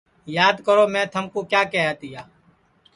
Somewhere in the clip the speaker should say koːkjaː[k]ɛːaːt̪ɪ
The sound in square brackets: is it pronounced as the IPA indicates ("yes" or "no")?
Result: yes